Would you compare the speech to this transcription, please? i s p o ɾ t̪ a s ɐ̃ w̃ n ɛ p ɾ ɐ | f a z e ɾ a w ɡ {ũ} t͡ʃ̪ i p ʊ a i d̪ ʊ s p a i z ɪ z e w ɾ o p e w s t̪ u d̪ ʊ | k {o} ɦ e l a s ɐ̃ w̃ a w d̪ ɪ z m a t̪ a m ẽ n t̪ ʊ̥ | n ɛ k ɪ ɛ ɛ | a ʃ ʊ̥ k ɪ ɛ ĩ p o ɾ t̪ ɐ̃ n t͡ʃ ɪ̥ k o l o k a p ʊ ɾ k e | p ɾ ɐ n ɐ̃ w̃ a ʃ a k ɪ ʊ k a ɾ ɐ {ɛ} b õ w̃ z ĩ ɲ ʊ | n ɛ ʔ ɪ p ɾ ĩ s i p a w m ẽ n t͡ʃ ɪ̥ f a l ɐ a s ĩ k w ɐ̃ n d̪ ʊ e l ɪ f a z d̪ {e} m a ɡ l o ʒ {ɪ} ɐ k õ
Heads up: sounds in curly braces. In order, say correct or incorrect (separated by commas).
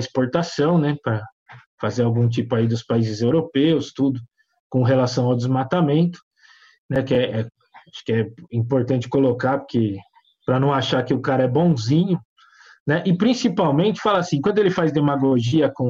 correct, incorrect, correct, correct, incorrect